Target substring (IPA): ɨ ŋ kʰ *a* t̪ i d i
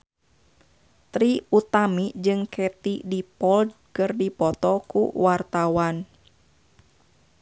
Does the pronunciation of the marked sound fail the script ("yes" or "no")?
yes